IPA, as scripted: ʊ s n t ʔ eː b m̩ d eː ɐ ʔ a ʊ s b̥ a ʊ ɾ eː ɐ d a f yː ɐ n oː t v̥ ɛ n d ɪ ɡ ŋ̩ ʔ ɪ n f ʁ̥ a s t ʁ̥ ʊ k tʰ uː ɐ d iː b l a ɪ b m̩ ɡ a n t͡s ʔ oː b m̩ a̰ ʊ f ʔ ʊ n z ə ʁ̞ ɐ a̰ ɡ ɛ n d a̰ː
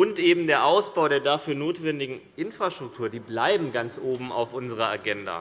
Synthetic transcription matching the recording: ʊ n t ʔ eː b m̩ d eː ɐ ʔ a ʊ s b̥ a ʊ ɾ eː ɐ d a f yː ɐ n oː t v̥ ɛ n d ɪ ɡ ŋ̩ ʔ ɪ n f ʁ̥ a ʃ t ʁ̥ ʊ k tʰ uː ɐ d iː b l a ɪ b m̩ ɡ a n t͡s ʔ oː b m̩ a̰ ʊ f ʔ ʊ n z ə ʁ̞ ɐ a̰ ɡ ɛ n d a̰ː

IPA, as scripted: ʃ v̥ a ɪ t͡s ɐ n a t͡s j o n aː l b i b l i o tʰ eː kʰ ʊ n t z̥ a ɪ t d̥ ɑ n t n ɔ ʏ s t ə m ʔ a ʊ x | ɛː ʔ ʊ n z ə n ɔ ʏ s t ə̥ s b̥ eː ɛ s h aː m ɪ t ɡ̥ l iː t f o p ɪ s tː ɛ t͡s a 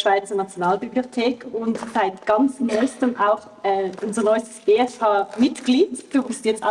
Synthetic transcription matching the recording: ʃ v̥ a ɪ t͡s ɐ n a t͡s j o n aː l b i b l i o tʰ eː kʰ ʊ n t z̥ a ɪ t ɡ̥ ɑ n t͡s n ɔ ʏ s t ə m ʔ a ʊ x | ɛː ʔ ʊ n z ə n ɔ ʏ s t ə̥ s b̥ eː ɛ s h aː m ɪ t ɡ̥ l iː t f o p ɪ s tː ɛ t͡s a

